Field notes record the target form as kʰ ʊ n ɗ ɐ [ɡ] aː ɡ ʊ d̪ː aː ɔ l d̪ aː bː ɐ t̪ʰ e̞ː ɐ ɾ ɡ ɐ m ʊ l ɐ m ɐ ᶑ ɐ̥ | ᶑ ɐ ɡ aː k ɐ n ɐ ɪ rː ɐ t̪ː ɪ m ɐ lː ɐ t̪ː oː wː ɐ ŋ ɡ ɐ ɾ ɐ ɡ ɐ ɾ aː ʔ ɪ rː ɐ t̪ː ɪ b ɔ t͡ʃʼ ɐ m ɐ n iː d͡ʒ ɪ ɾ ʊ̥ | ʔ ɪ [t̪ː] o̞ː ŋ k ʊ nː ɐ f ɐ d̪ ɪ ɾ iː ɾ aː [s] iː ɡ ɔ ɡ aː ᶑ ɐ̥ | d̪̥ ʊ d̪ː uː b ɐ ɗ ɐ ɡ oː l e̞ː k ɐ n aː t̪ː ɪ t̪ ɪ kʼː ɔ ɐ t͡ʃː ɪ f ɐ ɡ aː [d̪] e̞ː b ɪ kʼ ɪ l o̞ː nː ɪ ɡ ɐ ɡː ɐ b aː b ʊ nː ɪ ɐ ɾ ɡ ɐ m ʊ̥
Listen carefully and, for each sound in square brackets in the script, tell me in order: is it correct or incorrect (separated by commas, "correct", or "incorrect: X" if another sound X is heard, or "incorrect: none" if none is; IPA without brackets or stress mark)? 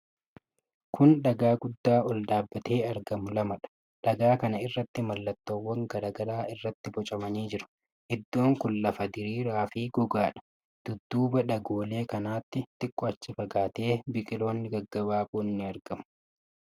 correct, incorrect: d̪ː, incorrect: f, incorrect: t̪